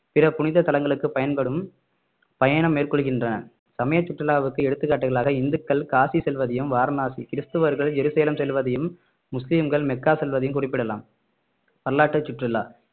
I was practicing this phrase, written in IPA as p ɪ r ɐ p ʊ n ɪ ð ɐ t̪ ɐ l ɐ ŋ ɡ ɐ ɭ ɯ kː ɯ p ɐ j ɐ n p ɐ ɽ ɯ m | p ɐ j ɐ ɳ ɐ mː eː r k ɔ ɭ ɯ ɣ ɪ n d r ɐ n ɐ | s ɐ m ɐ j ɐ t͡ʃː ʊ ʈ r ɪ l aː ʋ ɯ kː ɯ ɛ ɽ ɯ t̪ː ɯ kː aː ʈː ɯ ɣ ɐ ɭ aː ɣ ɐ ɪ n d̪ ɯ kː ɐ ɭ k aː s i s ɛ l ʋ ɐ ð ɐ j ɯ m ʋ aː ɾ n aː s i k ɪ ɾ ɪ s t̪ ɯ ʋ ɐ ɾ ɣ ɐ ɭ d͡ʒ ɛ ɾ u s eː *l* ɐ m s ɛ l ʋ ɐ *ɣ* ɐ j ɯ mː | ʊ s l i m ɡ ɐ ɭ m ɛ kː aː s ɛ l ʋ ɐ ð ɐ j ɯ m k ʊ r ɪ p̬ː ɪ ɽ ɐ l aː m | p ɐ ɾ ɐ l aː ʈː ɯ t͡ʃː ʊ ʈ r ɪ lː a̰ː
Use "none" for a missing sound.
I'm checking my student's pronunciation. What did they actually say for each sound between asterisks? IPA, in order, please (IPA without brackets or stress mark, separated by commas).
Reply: l, ð